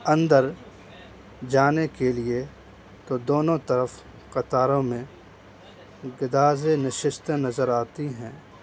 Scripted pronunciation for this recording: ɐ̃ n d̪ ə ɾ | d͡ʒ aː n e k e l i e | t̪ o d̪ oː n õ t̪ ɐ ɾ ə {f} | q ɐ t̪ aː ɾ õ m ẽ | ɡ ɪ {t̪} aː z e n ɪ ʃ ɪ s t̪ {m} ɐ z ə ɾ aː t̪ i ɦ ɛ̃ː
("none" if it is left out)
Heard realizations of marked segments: f, d̪, n

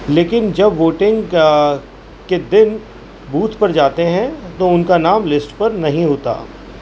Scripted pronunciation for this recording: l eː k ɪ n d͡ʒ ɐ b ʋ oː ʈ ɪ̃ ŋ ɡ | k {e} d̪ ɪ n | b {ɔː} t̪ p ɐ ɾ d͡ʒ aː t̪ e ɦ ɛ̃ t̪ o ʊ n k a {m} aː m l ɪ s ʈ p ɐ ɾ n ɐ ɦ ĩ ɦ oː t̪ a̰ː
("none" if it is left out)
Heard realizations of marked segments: e, uː, n

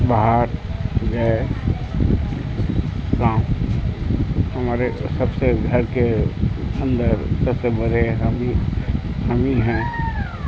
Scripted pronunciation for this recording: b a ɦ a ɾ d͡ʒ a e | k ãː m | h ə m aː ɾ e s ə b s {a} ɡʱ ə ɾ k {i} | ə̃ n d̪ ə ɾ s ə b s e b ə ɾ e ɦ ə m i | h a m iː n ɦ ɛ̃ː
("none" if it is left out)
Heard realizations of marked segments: e, e

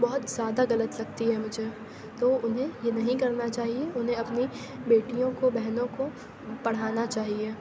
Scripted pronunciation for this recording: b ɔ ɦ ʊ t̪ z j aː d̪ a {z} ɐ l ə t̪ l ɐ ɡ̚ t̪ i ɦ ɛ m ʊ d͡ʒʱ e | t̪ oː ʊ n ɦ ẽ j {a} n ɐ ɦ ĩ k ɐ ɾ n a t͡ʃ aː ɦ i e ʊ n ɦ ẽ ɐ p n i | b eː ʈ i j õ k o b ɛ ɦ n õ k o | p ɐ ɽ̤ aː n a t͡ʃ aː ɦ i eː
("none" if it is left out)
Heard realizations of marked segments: ɣ, e

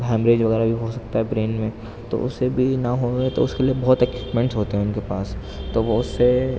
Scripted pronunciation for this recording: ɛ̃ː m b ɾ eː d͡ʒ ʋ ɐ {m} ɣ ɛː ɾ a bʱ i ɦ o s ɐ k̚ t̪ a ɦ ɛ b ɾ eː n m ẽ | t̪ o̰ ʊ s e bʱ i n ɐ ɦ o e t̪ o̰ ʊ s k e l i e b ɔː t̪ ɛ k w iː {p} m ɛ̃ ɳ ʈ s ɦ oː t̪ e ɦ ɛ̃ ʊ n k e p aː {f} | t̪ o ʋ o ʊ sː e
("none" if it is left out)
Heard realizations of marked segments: none, p, s

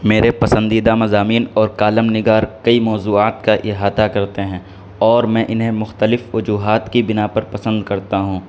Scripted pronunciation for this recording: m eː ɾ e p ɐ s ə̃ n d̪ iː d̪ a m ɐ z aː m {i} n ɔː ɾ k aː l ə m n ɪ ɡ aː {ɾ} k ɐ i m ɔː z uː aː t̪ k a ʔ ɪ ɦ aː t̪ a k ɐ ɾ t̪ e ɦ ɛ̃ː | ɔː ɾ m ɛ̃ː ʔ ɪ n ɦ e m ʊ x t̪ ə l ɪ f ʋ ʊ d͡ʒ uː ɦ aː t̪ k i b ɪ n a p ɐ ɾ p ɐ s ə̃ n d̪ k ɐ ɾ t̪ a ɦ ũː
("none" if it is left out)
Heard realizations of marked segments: iː, ɾ

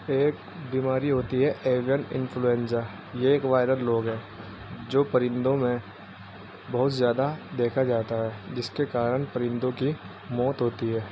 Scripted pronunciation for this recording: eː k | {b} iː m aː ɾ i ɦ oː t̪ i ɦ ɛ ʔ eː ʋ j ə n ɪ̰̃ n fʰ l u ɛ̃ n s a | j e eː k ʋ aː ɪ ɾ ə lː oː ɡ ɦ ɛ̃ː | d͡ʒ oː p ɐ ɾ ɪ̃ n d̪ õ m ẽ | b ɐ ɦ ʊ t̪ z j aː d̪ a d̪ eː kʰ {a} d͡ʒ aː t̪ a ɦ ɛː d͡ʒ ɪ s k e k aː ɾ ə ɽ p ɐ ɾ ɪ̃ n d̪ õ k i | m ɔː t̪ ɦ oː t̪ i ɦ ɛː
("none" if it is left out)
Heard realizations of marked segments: b, a

